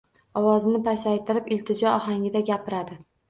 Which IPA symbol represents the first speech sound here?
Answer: ɒ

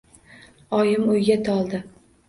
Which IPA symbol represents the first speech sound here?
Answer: ɒ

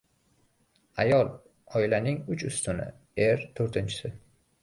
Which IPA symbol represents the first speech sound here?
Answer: a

